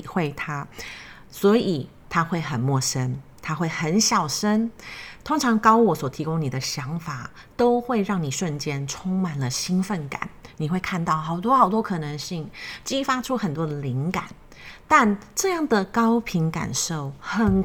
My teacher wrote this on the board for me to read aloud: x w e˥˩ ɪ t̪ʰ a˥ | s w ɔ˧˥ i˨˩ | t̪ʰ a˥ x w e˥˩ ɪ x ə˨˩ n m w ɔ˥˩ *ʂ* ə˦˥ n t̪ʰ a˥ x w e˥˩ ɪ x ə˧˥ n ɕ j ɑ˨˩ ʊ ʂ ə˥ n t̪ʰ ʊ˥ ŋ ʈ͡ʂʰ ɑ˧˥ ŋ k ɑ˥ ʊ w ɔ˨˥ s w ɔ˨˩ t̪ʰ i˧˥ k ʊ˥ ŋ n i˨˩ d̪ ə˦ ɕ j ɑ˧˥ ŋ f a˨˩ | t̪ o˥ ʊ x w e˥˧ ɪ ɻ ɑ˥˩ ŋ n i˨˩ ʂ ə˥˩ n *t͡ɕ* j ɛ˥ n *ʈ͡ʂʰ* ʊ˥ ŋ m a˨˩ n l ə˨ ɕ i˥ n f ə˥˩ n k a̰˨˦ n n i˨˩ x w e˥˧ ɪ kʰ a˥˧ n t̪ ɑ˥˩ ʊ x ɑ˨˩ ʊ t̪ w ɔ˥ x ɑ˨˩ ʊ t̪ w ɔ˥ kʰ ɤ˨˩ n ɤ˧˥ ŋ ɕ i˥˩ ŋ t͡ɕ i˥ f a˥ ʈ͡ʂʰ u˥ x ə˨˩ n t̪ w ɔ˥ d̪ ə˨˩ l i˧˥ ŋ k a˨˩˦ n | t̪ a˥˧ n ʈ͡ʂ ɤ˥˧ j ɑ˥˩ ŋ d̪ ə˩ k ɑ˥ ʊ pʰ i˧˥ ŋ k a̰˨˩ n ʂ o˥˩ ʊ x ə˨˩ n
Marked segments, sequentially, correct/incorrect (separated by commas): correct, correct, correct